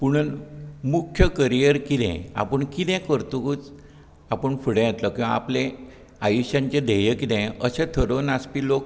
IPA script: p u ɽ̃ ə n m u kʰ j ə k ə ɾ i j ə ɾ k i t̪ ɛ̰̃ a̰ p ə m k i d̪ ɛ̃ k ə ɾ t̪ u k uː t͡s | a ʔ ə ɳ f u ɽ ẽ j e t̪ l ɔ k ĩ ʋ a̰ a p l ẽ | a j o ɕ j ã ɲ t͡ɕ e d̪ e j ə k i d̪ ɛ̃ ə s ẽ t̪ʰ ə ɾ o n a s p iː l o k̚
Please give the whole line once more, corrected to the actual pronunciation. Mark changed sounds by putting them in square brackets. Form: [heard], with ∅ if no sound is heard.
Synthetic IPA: p u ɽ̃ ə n m u kʰ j ə k ə ɾ i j ə ɾ k i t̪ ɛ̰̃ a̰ p ə [ɳ] k i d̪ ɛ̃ k ə ɾ t̪ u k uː t͡s | a [p] ə ɳ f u ɽ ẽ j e t̪ l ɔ k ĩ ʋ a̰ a p l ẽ | a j [u] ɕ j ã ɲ t͡ɕ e d̪ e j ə k i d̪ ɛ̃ ə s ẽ t̪ʰ ə ɾ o n a s p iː l o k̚